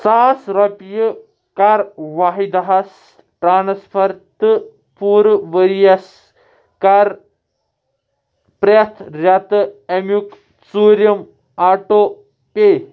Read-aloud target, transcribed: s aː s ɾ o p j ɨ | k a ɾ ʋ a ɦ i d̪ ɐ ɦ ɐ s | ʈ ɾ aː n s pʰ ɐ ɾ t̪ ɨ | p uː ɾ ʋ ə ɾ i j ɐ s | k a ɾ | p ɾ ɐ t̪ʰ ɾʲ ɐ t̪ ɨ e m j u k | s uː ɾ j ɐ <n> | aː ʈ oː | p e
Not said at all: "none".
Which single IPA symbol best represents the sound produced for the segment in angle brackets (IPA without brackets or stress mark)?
m